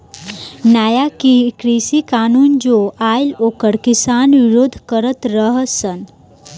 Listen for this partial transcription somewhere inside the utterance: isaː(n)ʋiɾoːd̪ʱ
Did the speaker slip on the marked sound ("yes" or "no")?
no